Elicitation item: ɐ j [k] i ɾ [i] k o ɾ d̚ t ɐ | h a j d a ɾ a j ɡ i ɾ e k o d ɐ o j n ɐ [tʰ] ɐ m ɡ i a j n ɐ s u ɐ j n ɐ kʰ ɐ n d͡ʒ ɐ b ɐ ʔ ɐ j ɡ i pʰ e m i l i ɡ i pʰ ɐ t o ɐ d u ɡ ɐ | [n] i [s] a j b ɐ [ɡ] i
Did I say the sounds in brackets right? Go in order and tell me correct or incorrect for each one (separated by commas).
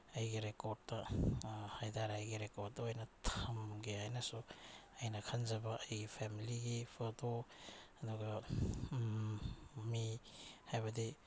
incorrect, incorrect, correct, incorrect, incorrect, incorrect